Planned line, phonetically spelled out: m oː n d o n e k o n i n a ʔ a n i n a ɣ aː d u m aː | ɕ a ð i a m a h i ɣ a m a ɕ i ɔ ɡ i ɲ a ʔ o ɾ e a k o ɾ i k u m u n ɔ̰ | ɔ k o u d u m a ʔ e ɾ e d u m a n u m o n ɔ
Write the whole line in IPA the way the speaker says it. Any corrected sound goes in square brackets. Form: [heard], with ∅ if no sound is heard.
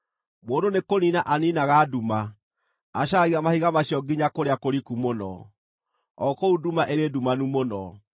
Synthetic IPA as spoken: m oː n d o n e k o n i n a ʔ a n i n a ɣ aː d u m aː | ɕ a [ɣ] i a m a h i ɣ a m a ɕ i ɔ ɡ i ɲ a [k] o ɾ e a k o ɾ i k u m [o] n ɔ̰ | ɔ k o u d u m a ʔ e ɾ e d u m a n u m o n ɔ